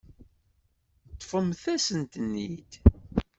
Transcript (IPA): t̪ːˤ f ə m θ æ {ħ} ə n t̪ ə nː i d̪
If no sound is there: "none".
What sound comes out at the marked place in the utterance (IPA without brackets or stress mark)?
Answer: s